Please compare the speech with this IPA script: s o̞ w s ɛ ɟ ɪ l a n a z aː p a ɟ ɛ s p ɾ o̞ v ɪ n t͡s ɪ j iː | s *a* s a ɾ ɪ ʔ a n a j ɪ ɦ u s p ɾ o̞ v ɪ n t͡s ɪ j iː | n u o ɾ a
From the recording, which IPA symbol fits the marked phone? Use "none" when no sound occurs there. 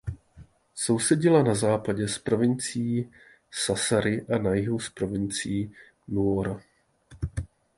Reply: a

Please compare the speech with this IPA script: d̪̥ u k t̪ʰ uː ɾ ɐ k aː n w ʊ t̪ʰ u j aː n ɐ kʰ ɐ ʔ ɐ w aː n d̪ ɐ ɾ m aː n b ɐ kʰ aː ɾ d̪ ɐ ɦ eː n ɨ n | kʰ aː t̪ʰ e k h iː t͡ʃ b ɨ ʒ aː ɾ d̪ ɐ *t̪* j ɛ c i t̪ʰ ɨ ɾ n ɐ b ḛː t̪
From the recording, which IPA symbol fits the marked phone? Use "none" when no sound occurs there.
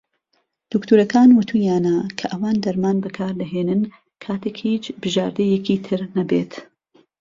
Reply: none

